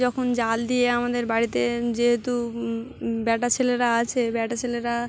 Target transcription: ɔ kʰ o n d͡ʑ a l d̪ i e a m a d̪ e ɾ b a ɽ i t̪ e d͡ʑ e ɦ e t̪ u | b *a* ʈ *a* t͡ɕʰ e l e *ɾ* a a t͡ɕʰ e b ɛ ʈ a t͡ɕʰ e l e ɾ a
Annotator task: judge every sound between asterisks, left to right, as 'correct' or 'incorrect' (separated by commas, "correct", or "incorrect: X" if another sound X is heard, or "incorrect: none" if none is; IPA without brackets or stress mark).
incorrect: ɛ, correct, correct